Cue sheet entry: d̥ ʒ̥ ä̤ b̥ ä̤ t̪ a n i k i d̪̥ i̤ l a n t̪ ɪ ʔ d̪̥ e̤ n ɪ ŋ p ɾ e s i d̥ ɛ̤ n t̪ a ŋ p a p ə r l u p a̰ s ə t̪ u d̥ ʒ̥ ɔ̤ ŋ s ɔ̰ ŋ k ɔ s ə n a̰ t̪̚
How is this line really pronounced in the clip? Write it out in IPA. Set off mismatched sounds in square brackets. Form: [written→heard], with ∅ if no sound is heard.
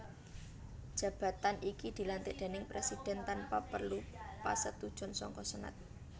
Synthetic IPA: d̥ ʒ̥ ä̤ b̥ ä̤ t̪ a n i k i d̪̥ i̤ l a n t̪ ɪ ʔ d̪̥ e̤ n ɪ ŋ p ɾ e s i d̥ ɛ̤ n t̪ a [ŋ→n] p a p ə r l u p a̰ s ə t̪ u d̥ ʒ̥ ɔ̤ [ŋ→n] s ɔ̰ ŋ k ɔ s ə n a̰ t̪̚